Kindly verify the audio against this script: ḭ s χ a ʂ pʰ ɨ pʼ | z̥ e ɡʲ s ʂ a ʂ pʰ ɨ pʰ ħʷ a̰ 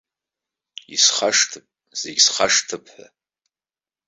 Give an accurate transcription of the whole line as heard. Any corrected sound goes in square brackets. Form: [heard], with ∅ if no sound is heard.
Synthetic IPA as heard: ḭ s χ a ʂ [tʰ] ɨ pʼ | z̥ e ɡʲ s [χ] a ʂ [tʰ] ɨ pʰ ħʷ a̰